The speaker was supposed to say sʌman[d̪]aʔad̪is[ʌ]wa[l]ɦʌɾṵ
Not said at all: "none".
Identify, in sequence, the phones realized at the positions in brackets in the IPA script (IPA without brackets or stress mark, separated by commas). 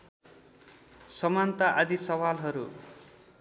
t̪, ʌ, l